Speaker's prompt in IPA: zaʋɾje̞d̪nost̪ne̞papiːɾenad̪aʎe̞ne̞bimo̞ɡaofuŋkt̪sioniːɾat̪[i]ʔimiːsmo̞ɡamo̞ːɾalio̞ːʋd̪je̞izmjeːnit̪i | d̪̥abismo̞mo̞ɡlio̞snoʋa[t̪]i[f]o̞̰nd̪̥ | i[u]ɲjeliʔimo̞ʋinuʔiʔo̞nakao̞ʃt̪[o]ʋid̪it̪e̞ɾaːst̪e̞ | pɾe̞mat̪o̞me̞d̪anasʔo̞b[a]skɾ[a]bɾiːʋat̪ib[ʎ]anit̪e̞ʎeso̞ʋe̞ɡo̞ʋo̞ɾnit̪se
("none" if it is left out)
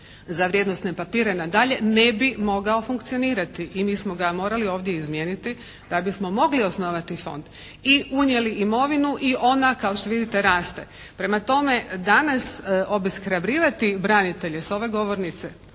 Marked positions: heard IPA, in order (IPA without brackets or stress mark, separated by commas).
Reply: i, t̪, f, u, o, i, a, ɾ